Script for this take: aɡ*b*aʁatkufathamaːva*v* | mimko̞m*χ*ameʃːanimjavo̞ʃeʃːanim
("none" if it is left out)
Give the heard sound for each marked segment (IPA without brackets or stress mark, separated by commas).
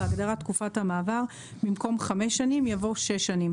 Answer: d, ʁ, χ